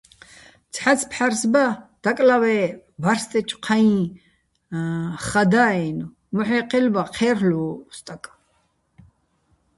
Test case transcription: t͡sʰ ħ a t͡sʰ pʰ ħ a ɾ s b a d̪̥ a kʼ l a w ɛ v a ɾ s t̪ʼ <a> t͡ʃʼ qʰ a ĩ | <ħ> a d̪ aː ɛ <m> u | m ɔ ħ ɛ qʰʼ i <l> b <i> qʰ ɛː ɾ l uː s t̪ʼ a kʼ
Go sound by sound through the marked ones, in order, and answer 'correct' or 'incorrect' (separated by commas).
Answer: incorrect, incorrect, incorrect, correct, incorrect